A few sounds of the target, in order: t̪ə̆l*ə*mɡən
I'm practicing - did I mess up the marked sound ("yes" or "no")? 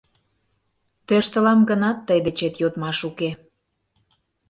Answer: yes